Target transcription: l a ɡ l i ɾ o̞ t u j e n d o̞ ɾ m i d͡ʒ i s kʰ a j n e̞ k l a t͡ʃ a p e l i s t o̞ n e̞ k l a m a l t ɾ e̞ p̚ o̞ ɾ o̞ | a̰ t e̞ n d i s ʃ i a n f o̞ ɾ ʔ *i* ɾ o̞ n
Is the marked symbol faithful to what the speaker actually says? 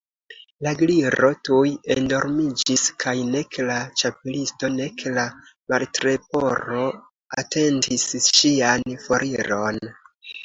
yes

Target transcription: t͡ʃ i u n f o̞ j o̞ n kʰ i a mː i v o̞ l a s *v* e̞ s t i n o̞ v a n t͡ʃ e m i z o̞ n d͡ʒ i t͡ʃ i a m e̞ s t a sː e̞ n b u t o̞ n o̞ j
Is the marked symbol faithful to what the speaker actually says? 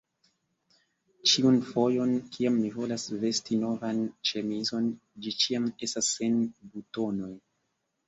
yes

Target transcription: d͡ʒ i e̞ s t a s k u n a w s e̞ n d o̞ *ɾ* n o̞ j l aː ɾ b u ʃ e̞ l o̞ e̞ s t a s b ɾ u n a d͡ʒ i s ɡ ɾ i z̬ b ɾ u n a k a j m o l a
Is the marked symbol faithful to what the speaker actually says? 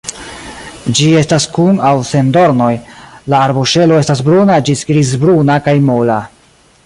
yes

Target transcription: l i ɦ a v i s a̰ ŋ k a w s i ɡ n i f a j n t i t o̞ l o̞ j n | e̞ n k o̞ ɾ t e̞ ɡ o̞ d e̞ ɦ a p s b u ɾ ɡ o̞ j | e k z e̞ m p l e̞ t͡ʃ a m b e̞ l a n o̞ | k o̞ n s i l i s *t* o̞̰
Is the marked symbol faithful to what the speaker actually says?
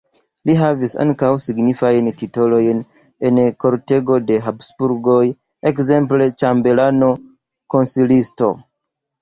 yes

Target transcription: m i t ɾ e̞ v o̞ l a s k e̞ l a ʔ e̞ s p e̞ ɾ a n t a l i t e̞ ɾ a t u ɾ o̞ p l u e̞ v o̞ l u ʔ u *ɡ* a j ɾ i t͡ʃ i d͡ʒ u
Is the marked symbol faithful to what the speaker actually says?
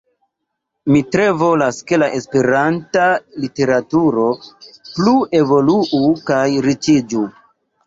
no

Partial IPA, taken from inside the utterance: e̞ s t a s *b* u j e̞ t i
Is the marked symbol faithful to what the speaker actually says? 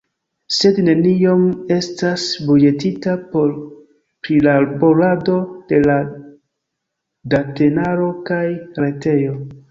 yes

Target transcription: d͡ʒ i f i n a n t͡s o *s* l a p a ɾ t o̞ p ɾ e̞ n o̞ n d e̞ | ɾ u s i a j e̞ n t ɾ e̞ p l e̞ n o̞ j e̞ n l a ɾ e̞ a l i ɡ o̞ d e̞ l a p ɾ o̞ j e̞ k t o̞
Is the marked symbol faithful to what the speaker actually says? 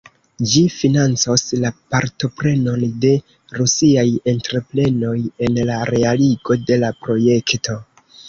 yes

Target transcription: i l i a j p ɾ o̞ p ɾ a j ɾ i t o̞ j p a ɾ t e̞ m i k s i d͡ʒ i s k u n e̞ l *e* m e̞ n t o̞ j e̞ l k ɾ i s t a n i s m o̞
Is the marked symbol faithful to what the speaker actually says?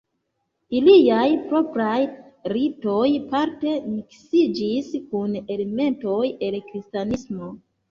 yes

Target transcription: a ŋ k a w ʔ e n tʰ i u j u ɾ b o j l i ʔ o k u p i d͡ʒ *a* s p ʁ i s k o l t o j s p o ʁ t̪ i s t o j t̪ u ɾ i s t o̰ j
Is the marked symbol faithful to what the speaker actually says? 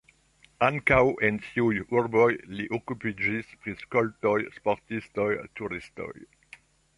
no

